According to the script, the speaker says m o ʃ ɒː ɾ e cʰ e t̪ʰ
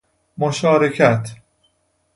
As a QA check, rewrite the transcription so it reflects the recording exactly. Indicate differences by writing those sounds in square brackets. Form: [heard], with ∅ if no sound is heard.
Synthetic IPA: m o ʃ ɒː ɾ e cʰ [æ] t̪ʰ